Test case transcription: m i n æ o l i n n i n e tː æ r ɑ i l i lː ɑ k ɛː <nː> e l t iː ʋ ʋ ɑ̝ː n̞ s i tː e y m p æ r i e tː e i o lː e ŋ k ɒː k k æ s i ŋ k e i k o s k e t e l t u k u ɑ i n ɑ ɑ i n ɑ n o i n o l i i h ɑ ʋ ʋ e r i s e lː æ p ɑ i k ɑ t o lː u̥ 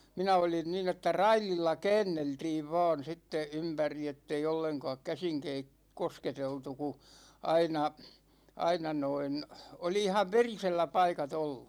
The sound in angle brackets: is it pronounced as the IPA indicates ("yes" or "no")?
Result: yes